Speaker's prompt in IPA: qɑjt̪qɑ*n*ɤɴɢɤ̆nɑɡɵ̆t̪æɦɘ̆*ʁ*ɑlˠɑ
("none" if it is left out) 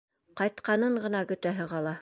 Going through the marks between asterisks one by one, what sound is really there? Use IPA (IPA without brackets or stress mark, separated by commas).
n, ʁ